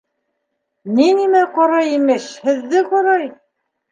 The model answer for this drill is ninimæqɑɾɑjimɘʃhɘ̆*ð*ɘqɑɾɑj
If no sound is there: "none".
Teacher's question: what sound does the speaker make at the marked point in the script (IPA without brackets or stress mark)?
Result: ðː